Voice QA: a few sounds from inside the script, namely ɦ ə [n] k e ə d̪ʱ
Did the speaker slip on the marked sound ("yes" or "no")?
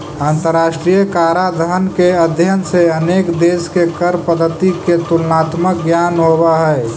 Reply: no